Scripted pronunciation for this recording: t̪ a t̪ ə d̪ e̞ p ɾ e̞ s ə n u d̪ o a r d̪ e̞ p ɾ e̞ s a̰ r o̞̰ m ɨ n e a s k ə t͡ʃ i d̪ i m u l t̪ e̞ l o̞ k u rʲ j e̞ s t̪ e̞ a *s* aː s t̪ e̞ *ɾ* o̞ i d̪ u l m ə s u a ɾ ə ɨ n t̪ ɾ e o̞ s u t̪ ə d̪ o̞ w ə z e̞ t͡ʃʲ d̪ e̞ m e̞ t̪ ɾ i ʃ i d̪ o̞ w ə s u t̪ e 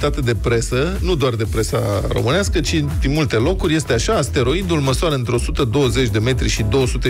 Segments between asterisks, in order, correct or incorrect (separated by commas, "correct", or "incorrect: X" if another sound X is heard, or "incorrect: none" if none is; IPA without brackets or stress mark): incorrect: ʃ, correct